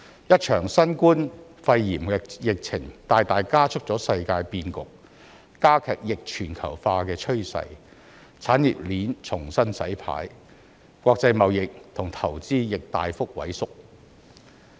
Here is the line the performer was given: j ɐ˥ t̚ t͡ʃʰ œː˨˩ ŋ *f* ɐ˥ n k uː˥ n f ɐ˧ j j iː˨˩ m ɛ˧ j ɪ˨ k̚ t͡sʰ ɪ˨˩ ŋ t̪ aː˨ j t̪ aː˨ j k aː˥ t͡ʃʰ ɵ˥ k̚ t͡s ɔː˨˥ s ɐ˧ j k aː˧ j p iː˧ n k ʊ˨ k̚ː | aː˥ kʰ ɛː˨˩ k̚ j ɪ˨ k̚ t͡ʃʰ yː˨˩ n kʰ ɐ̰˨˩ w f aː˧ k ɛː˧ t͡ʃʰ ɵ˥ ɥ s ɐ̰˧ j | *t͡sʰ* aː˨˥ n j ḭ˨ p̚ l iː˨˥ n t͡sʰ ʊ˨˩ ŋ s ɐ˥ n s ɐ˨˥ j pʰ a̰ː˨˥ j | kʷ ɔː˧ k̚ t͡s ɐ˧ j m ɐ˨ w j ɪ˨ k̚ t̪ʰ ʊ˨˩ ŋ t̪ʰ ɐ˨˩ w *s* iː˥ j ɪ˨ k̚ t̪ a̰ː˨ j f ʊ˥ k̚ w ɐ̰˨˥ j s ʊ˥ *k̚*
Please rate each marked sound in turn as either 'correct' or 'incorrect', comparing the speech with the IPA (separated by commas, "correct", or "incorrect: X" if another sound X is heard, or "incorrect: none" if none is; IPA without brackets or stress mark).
incorrect: s, correct, incorrect: t͡s, correct